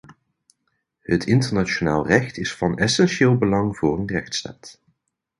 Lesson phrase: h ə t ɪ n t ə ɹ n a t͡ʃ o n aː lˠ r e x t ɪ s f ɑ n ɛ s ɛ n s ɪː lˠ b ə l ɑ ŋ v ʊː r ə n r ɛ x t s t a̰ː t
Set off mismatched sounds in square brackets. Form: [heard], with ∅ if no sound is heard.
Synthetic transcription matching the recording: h ə t ɪ n t ə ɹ n a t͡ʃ o n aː lˠ r [ɛ] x t ɪ s f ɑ n ɛ s ɛ n [ʃ] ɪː lˠ b ə l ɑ ŋ v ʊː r ə n r ɛ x t s t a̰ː t